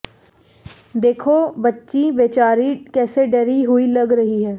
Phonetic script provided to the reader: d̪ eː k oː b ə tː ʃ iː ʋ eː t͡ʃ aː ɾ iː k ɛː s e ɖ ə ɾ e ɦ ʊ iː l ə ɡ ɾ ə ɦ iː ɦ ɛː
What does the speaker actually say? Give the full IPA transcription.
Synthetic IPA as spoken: d̪ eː kʰ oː b ə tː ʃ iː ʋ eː t͡ʃ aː ɾ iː k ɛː s e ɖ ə ɾ i ɦ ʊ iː l ə ɡ ɾ ə ɦ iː ɦ ɛː

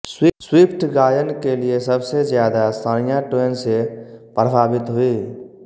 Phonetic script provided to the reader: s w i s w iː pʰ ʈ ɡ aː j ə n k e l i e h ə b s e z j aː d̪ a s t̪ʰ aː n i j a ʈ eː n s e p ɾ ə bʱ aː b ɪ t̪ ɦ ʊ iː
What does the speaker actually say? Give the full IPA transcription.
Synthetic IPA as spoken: s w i s w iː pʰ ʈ ɡ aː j ə n k e l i e s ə b s e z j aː d̪ a s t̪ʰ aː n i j a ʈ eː n s e p ɾ ə bʱ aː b ɪ t̪ ɦ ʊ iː

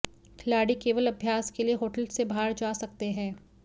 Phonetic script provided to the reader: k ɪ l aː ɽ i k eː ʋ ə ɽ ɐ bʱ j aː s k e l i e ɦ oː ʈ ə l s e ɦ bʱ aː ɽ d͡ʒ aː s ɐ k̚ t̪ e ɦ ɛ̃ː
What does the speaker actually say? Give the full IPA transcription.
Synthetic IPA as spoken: kʰ ɪ l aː ɽ i k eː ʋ ə l ɐ bʱ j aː s k e l i e ɦ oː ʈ ə l s e bʱ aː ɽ d͡ʒ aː s ɐ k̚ t̪ e ɦ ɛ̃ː

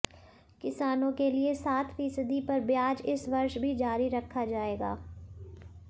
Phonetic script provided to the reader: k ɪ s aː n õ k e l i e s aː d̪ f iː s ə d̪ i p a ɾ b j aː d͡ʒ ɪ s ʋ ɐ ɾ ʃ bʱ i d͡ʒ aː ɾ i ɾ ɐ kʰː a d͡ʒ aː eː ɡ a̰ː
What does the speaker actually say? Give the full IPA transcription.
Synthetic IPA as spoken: k ɪ s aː n õ k e l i e s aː t̪ f iː s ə d̪ i p ɐ ɾ b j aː d͡ʒ ɪ s ʋ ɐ ɾ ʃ bʱ i d͡ʒ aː ɾ i ɾ ɐ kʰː a d͡ʒ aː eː ɡ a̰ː

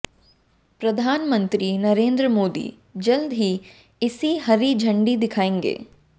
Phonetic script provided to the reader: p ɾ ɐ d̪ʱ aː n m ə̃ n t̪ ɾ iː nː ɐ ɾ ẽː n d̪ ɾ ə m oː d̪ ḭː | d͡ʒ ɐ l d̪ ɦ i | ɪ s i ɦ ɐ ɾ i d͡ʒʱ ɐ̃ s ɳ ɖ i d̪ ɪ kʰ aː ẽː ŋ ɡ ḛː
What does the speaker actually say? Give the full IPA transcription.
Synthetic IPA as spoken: p ɾ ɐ d̪ʱ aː n m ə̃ n t̪ ɾ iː n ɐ ɾ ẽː n d̪ ɾ ə m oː d̪ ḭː | d͡ʒ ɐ l d̪ ɦ i | ɪ s i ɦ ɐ ɾ i d͡ʒʱ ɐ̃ ɳ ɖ i d̪ ɪ kʰ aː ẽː ŋ ɡ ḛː

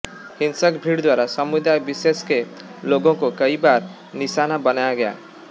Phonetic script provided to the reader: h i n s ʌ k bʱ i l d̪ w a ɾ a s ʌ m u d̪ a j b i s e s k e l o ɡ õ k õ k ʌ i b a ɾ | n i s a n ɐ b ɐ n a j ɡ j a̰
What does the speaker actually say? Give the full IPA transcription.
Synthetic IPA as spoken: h i n s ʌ k bʱ i ɽ d̪ w a ɾ a s ʌ m u d̪ a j b i s e s k e l o ɡ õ k o k ʌ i b a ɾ | n i s a n a b ʌ n a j ɡ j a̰

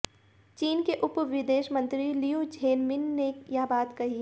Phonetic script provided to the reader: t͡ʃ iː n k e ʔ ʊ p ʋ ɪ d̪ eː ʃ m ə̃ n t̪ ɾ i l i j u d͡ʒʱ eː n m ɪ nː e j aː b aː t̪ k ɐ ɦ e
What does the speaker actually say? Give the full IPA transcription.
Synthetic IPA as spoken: t͡ʃ iː n k e ʔ ʊ p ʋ ɪ d̪ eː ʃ m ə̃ n t̪ ɾ i l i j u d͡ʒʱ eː n m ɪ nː e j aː b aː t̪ k ɐ ɦ i

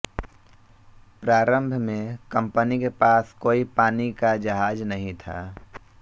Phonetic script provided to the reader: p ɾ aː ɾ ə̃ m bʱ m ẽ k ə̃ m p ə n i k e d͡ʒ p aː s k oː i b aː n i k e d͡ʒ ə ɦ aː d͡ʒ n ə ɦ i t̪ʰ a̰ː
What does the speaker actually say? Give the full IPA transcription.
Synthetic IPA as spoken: p ɾ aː ɾ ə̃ m bʱ m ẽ k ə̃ m p ə n i k e p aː s k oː i p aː n i k a d͡ʒ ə ɦ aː d͡ʒ n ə ɦ ĩ t̪ʰ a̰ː

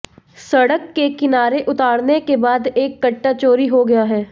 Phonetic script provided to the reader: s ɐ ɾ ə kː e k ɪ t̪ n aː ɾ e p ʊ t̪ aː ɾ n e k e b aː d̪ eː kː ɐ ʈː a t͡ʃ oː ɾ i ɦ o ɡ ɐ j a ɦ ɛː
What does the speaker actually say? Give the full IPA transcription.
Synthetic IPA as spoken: s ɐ ɽ ə kː e k ɪ n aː ɾ e ʔ ʊ t̪ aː ɽ n e k e b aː d̪ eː kː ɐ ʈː a t͡ʃ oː ɾ i ɦ o ɡ ɐ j a ɦ ɛː

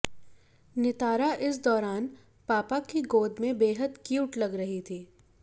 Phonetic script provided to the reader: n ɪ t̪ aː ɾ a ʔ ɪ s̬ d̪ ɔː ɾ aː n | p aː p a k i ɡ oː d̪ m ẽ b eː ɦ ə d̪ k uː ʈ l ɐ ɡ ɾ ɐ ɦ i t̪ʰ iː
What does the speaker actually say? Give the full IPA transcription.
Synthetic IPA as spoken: n ɪ t̪ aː ɾ a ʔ ɪ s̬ d̪ ɔː ɾ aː n | p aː p a k i ɡ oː d̪ m ẽ b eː ɦ ə d̪ k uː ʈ l ɐ ɡ ɾ ɐ ɦ i t̪ʰ iː

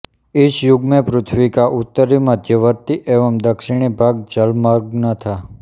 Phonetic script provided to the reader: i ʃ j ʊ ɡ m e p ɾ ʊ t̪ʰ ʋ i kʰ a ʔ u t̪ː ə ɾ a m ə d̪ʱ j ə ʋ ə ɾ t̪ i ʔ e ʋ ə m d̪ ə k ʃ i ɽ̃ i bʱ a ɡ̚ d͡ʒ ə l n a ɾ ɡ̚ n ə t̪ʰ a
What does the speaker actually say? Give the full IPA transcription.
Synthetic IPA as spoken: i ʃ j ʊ ɡ m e p ɾ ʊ t̪ʰ ʋ i k a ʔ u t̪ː ə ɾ i m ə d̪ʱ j ə ʋ ə ɾ t̪ i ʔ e ʋ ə m d̪ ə k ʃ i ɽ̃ i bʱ a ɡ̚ d͡ʒ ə l m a ɾ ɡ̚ n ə t̪ʰ a

